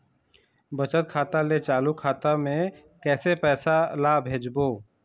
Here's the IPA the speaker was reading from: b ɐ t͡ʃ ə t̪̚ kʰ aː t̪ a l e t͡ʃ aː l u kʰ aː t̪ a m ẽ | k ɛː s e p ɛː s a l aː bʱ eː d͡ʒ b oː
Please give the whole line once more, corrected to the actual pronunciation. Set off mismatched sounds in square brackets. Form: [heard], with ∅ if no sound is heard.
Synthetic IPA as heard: b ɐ t͡ʃ ə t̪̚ kʰ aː t̪ a l e t͡ʃ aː l u kʰ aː t̪ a m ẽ | k ɛː s e p ɛː s a l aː bʱ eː d͡ʒ b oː